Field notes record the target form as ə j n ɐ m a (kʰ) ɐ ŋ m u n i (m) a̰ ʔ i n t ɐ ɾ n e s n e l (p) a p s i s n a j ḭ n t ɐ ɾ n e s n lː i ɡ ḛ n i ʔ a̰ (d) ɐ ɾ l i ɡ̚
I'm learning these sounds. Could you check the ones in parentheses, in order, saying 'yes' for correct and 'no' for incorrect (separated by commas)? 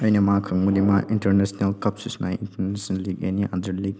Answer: yes, yes, no, yes